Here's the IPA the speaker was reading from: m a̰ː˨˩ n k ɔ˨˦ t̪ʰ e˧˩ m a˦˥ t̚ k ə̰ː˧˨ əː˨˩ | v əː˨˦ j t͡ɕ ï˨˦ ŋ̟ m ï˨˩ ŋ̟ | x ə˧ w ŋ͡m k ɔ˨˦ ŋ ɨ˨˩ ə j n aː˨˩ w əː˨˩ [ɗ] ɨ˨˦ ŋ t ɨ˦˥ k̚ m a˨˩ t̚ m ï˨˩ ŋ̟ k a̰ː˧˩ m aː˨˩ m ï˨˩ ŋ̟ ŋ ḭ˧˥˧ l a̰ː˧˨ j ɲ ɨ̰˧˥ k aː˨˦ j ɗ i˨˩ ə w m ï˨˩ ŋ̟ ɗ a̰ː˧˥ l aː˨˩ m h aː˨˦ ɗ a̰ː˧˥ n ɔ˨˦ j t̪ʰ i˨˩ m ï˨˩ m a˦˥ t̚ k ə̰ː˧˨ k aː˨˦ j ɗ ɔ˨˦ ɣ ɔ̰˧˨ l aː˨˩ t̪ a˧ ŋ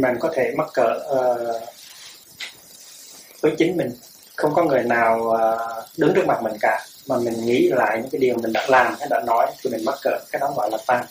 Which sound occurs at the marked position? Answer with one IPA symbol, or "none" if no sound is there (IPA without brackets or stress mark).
ɗ